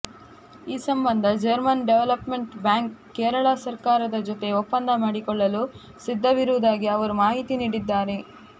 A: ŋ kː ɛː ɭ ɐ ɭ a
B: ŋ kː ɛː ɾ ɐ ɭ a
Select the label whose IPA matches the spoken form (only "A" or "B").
B